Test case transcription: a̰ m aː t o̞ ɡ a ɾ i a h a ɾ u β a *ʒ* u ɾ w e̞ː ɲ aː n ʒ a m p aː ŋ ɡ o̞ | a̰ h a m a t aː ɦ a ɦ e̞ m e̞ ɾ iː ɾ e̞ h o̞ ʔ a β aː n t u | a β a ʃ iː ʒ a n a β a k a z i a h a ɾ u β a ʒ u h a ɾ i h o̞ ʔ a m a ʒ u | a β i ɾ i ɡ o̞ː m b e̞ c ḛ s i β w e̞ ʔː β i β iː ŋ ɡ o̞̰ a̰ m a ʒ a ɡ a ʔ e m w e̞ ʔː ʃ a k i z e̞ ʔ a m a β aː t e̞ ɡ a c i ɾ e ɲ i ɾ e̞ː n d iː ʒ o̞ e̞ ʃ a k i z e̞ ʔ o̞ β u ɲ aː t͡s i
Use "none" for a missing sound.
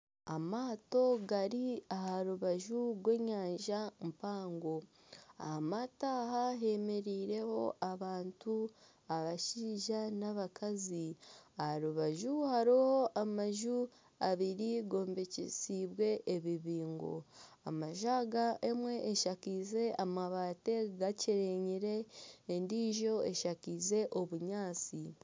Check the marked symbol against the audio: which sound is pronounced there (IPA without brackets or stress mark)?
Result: ʒ